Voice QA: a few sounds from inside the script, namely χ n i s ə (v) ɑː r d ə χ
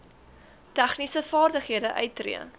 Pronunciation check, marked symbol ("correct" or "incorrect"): incorrect